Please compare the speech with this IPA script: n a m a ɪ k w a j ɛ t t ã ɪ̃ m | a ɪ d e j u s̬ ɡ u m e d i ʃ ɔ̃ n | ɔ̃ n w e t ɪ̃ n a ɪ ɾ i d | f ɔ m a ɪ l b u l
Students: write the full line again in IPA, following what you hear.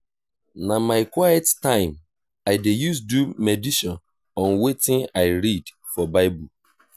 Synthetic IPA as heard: n a m a ɪ k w a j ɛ t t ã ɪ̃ m | a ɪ d e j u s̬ d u m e d i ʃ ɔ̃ n | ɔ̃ n w e t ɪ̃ n a ɪ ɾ i d | f ɔ b a ɪ b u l